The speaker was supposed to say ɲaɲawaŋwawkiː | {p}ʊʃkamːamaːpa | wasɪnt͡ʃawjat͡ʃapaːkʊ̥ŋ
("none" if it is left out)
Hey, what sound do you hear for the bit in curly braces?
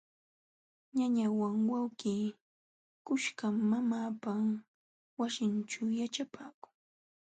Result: k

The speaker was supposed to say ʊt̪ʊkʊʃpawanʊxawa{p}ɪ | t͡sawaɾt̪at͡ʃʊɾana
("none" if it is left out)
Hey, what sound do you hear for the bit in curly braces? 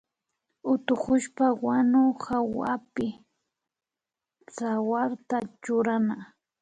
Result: p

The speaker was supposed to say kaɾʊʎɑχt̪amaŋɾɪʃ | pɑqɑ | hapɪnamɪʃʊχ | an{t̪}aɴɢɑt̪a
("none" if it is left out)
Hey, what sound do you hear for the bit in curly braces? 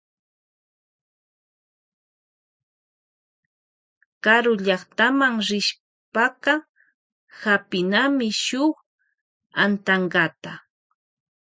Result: t̪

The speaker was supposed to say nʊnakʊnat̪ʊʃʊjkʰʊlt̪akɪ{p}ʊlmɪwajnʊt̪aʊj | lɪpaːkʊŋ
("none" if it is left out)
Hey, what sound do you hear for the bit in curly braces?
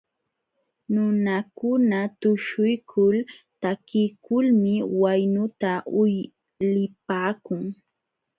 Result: k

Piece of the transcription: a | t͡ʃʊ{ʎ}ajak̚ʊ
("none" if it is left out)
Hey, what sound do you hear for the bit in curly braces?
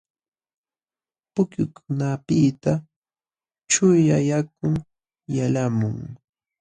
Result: j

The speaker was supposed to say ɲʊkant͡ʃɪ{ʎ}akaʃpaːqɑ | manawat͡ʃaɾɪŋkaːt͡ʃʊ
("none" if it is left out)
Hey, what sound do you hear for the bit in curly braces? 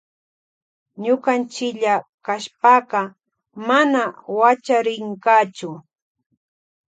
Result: ʎ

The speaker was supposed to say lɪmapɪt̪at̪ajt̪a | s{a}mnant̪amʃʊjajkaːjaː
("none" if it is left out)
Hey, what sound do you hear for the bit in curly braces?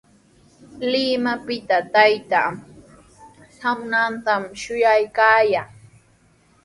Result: a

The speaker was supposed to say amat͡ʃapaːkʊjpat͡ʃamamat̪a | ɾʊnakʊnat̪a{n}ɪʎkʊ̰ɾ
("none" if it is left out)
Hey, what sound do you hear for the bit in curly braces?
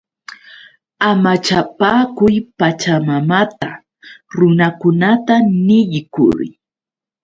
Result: n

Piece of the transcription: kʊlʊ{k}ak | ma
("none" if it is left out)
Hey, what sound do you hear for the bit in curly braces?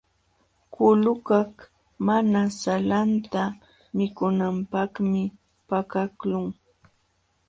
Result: k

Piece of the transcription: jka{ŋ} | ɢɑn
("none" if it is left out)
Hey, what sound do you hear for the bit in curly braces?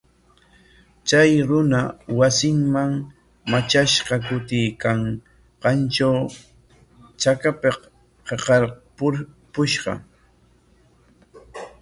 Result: ŋ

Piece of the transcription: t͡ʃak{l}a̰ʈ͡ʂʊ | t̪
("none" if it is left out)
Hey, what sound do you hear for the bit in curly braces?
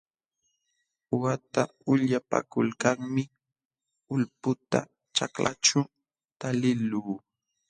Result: l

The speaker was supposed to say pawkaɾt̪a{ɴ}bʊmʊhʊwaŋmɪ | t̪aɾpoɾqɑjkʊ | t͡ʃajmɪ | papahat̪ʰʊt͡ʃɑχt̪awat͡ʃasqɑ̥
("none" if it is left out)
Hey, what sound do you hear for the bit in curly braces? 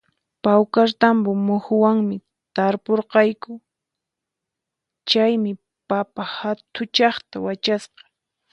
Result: m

